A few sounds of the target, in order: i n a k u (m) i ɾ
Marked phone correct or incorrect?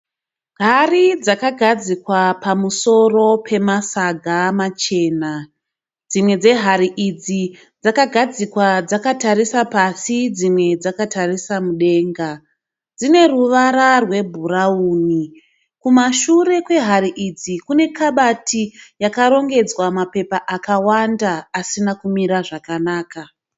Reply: correct